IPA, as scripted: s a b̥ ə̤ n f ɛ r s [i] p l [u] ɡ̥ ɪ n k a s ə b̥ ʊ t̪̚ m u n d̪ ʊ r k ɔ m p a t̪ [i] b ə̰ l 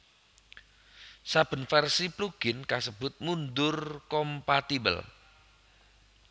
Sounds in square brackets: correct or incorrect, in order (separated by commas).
correct, correct, correct